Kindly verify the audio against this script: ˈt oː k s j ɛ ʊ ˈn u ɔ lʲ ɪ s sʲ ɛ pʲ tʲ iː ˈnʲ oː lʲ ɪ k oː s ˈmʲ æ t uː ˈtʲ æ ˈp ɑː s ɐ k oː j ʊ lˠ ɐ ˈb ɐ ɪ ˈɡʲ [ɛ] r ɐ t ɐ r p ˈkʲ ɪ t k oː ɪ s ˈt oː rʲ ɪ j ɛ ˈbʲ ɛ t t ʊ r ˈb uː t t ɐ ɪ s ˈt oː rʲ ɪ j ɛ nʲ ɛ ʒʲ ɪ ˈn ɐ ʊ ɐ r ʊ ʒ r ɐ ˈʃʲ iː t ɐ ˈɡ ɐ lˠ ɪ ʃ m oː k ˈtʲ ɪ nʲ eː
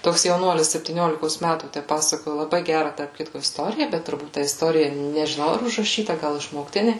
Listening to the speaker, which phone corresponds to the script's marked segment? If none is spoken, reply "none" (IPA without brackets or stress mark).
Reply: æ